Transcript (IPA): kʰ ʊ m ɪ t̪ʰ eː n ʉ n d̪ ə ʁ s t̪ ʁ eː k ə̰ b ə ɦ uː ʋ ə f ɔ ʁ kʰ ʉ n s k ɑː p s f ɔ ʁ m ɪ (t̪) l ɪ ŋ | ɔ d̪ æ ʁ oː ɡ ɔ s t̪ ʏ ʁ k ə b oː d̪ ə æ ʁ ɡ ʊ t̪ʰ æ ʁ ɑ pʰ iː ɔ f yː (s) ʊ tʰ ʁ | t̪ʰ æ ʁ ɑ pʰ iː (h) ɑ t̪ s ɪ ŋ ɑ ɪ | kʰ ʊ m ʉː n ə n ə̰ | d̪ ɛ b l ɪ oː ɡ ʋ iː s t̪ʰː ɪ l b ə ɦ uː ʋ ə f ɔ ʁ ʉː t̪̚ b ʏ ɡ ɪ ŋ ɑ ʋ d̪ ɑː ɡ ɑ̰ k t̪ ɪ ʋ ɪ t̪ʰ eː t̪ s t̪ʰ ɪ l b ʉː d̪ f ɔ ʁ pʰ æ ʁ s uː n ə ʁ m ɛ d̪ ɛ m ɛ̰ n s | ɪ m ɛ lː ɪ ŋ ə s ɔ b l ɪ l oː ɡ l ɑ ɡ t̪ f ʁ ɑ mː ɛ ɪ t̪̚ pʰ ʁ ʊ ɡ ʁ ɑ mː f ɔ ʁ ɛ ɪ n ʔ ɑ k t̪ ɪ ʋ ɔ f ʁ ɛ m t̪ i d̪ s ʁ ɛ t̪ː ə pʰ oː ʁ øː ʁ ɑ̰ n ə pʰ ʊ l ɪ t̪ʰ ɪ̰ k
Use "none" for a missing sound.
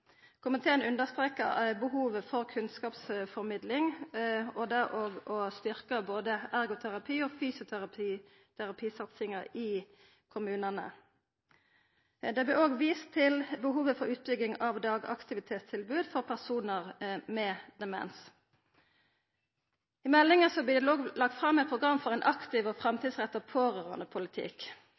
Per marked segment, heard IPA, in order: d̪, s, s

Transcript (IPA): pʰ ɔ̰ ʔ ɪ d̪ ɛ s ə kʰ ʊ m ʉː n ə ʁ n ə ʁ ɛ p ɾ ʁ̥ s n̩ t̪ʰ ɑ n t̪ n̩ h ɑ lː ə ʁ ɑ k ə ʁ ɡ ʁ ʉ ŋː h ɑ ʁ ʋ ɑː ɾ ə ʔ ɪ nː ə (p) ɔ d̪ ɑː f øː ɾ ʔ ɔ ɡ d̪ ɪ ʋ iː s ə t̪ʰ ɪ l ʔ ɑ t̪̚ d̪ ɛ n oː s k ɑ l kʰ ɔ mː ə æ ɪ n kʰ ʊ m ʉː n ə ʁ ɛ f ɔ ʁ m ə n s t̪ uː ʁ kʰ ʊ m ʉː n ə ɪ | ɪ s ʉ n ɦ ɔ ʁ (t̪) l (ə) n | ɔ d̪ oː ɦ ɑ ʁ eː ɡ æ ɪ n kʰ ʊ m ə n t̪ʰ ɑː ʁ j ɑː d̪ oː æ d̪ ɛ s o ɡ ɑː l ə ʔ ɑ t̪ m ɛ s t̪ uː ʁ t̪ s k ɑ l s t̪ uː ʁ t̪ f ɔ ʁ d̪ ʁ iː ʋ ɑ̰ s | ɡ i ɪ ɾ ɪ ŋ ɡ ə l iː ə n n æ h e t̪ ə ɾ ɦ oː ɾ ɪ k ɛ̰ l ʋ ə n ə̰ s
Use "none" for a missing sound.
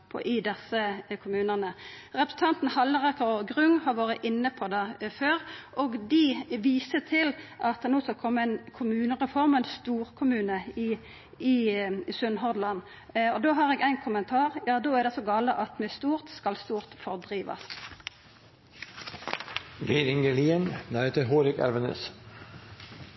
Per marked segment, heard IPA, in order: pʰ, d̪, ɑ

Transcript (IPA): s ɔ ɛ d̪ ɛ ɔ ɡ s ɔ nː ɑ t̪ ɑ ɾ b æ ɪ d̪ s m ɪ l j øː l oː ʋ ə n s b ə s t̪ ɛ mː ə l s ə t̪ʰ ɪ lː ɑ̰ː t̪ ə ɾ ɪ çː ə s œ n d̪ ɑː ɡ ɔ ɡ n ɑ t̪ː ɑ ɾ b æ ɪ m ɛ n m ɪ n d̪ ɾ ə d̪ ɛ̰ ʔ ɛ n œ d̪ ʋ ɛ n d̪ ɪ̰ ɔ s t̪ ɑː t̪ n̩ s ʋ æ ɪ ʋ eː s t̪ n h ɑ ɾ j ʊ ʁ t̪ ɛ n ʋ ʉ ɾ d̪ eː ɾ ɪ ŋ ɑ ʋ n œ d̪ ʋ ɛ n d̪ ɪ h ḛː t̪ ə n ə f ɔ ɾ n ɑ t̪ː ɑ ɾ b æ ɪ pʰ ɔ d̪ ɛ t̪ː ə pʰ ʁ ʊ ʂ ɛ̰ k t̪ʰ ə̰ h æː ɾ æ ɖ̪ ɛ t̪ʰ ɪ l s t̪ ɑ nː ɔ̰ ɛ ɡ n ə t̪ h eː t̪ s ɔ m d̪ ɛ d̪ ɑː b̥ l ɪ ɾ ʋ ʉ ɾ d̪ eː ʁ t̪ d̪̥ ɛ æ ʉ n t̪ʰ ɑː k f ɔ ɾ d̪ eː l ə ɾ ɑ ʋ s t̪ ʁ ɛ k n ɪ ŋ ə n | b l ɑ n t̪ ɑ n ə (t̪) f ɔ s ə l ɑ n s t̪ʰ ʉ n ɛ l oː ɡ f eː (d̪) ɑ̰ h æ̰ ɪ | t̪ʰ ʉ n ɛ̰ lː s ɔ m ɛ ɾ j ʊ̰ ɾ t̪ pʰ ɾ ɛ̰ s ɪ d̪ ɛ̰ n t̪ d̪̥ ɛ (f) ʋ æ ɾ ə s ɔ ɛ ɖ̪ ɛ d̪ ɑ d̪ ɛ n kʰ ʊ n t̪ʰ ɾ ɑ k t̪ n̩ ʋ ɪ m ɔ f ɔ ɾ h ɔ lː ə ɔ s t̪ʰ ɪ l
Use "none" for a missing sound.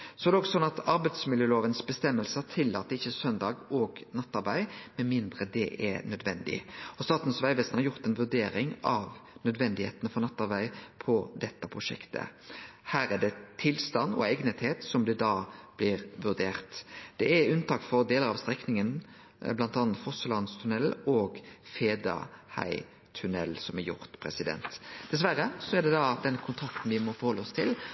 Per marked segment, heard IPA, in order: t̪, d̪, s

